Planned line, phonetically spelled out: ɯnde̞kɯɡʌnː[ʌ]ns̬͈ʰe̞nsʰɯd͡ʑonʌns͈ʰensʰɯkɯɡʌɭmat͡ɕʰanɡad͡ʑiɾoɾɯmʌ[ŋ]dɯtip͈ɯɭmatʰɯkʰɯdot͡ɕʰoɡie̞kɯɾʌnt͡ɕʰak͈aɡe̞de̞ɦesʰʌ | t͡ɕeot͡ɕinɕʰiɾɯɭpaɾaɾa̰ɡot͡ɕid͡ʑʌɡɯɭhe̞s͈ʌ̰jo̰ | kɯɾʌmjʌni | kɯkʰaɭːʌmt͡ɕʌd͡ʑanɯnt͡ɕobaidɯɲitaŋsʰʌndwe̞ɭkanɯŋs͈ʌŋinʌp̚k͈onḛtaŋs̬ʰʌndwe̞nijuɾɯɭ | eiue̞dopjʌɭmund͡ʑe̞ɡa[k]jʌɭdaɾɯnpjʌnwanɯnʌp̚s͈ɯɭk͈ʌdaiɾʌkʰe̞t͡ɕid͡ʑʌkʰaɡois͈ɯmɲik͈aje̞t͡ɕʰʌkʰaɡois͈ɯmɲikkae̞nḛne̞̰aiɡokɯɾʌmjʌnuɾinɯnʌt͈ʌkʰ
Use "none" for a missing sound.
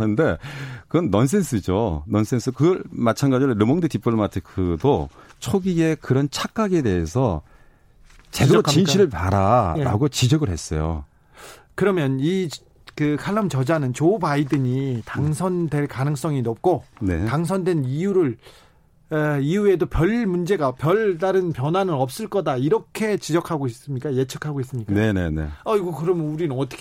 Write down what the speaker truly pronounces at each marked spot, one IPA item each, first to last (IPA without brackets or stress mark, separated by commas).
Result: ʌ, ŋ, p